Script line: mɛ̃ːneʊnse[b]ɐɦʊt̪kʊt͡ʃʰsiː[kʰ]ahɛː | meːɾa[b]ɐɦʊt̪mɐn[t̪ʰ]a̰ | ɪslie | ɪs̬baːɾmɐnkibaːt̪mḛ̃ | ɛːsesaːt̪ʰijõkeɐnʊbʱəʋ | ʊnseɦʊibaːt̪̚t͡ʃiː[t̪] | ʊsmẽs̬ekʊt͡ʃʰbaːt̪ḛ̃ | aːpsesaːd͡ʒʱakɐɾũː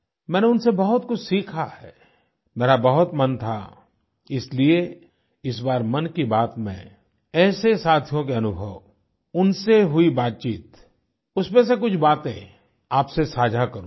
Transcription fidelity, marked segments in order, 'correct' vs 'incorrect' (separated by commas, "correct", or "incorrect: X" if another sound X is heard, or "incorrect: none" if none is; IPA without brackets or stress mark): correct, correct, correct, correct, correct